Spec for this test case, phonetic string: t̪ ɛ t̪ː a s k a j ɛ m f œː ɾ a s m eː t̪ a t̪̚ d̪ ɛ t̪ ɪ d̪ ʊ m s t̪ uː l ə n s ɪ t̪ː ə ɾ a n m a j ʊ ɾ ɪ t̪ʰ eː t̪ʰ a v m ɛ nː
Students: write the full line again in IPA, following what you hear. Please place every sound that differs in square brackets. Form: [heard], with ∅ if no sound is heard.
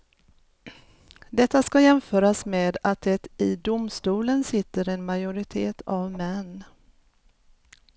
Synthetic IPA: [d̪] ɛ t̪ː a s k a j ɛ m f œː ɾ a s m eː [d̪] a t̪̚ d̪ ɛ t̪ ɪ d̪ ʊ m s t̪ uː l ə n s ɪ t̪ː ə ɾ [ɛ] n m a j ʊ ɾ ɪ t̪ʰ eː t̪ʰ a v m ɛ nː